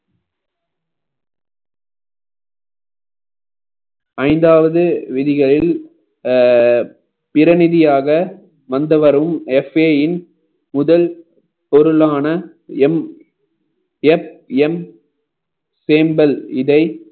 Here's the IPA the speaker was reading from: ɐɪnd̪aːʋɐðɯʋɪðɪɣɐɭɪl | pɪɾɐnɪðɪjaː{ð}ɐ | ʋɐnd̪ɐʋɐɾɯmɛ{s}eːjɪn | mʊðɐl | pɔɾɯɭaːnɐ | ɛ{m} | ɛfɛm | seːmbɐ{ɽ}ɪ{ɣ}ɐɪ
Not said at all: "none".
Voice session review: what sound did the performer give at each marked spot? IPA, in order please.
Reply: ɣ, f, m, l, ð

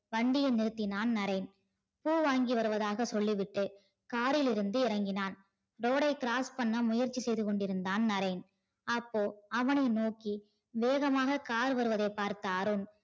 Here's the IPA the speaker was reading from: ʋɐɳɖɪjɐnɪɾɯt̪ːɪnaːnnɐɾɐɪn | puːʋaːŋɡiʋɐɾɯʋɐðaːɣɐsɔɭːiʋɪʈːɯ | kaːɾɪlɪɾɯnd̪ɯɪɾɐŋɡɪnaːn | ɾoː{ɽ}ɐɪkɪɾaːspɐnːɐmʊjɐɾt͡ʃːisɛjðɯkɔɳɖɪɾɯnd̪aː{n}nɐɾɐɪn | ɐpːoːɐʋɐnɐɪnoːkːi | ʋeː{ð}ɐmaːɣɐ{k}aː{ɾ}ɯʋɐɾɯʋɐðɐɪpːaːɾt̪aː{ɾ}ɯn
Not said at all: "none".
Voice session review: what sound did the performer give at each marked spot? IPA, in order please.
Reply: ɽ, n, ɣ, k, ɾ, ɾ

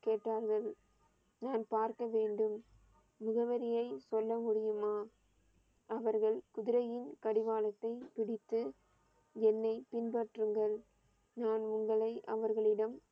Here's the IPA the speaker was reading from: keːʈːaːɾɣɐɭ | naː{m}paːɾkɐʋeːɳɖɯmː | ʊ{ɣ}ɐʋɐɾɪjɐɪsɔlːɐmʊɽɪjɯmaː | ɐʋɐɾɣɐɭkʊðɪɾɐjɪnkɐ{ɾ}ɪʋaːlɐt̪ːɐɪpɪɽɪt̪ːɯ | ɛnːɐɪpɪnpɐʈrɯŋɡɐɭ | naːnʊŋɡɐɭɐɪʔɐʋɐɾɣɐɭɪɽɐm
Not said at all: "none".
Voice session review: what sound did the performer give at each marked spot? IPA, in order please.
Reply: n, ɣ, ɽ

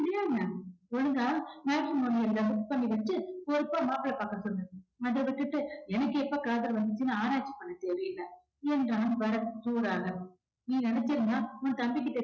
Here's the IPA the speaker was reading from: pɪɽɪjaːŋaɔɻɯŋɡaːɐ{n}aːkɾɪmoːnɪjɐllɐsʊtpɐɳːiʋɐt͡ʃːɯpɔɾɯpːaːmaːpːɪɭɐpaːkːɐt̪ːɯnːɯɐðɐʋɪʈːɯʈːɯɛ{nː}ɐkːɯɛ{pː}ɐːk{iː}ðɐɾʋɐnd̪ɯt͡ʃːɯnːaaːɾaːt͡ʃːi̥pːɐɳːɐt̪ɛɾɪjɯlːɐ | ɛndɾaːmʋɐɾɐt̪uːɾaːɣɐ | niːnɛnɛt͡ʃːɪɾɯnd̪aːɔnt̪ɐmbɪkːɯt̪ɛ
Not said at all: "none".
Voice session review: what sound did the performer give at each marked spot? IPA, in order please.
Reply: m, n, pː, aː

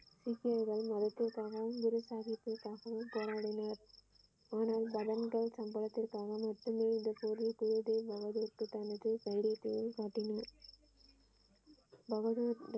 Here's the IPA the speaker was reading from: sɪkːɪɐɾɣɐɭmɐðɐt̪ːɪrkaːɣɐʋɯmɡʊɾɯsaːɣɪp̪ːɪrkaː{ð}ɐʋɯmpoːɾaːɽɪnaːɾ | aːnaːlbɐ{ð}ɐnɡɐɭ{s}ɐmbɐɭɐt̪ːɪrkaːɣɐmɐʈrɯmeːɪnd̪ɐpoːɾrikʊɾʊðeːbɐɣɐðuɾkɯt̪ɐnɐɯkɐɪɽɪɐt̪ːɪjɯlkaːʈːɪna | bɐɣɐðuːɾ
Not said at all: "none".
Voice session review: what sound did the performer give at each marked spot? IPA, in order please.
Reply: ɣ, ð, s

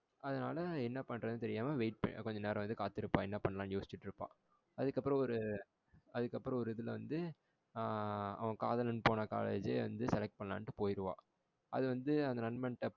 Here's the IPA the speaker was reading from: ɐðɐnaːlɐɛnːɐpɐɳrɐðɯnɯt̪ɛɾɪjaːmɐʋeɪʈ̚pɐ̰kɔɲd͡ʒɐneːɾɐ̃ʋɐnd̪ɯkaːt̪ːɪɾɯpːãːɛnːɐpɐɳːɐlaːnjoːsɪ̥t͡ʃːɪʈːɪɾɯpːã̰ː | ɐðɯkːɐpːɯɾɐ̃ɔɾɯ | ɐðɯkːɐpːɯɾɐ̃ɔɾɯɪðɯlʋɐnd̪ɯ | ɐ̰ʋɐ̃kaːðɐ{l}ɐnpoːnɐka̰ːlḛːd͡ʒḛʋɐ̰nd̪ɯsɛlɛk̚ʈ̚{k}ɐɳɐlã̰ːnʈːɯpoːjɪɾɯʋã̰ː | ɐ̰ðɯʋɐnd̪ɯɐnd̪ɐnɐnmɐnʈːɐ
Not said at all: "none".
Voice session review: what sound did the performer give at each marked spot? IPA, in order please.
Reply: l, p

